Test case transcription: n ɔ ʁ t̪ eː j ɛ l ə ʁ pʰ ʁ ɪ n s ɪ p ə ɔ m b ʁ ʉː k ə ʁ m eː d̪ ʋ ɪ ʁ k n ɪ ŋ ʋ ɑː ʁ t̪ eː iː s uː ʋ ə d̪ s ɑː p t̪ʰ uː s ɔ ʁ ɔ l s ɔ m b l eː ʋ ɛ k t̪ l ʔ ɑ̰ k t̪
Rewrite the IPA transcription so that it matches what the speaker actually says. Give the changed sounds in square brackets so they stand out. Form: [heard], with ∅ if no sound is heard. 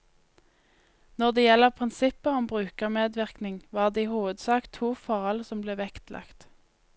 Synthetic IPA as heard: n ɔ ʁ [d̪] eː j ɛ l ə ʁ pʰ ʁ ɪ n s ɪ p ə ɔ m b ʁ ʉː k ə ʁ m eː d̪ ʋ ɪ ʁ k n ɪ ŋ ʋ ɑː ʁ [d̪] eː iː [h] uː ʋ ə d̪ s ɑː [k] t̪ʰ uː [f] ɔ ʁ ɔ l s ɔ m b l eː ʋ ɛ k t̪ l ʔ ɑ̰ k t̪